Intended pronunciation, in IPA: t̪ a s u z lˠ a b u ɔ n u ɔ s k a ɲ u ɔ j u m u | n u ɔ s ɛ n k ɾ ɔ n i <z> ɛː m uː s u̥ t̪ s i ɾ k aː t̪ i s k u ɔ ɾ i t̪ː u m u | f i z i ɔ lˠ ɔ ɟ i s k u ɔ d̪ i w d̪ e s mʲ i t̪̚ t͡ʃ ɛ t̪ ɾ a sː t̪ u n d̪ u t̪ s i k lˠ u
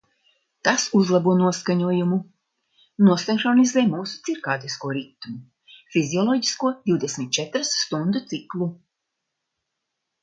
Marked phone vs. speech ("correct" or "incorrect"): correct